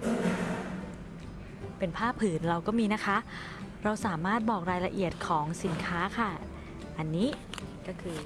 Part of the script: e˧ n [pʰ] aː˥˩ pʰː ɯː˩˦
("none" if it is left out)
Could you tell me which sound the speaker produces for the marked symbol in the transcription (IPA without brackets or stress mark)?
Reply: pʰ